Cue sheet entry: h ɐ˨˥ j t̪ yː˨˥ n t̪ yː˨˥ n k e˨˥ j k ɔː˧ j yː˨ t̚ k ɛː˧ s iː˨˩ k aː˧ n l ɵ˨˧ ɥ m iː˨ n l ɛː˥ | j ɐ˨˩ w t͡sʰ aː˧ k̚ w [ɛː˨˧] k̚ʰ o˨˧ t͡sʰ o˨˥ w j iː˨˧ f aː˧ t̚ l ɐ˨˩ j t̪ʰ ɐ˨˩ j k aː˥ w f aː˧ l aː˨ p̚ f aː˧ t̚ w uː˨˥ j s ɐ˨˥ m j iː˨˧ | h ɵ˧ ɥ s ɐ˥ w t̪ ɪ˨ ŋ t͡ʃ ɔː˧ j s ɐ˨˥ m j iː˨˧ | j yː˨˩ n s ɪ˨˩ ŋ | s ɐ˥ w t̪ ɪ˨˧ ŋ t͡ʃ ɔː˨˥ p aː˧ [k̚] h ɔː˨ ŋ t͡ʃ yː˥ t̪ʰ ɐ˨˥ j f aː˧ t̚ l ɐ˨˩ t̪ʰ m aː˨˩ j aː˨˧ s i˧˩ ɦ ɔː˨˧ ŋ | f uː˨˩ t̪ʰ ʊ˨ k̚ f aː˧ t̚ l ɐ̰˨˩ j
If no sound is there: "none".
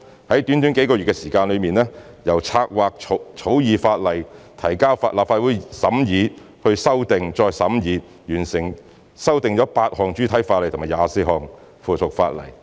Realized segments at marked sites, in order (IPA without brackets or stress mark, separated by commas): aː˨˧, t̚